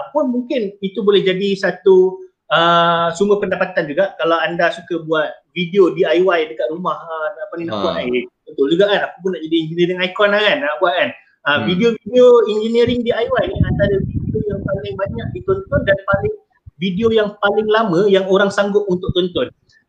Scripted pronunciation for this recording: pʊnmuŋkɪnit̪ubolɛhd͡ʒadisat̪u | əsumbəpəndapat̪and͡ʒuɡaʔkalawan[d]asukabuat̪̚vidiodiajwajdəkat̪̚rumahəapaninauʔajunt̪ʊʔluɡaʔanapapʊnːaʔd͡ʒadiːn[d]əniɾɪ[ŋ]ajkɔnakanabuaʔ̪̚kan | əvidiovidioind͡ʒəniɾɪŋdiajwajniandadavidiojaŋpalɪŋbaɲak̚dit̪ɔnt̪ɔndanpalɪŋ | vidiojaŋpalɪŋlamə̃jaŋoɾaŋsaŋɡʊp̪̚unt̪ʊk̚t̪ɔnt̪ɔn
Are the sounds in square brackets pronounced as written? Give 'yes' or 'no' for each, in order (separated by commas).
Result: yes, no, yes